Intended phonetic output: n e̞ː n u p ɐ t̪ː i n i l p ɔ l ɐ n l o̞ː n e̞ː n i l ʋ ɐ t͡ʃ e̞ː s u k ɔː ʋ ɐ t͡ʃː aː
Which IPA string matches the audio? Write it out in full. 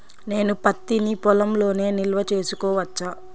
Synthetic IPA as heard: n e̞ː n u p ɐ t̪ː i n i p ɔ l ɐ m l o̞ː n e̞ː n i l ʋ ɐ t͡ʃ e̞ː s u k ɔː ʋ ɐ t͡ʃː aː